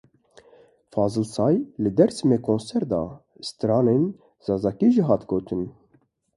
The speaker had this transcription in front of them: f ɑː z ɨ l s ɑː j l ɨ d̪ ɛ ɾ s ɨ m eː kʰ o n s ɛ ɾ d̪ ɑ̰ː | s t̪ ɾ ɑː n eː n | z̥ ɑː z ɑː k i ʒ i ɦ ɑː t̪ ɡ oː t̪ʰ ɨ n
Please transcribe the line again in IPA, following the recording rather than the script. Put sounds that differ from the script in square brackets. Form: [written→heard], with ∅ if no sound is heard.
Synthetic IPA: f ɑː z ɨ l s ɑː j l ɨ d̪ ɛ ɾ s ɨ m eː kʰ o n s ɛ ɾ d̪ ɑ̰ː | s t̪ ɾ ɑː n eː n | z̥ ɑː z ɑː k i ʒ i ɦ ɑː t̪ ɡ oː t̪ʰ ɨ n